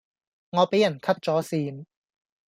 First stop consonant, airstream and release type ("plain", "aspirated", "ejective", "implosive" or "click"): plain